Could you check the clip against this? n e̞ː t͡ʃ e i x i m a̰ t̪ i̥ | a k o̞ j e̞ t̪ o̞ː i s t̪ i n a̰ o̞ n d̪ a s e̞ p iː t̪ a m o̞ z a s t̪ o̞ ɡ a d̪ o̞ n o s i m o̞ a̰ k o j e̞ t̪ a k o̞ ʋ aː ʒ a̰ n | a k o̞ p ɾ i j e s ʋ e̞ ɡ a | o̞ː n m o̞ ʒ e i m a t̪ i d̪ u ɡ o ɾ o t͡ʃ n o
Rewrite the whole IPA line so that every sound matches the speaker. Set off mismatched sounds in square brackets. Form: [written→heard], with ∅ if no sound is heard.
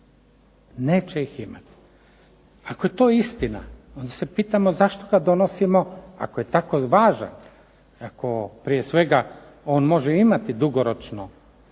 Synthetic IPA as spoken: n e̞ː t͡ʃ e i x i m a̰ t̪ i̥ | a k o̞ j e̞ t̪ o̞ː i s t̪ i n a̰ o̞ n d̪ a s e̞ p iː t̪ a m o̞ z a [s→ʃ] t̪ o̞ ɡ a d̪ o̞ n o s i m o̞ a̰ k o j e̞ t̪ a k o̞ ʋ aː ʒ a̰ n | a k o̞ p ɾ i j e s ʋ e̞ ɡ a | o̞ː n m o̞ ʒ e i m a t̪ i d̪ u ɡ o ɾ o t͡ʃ n o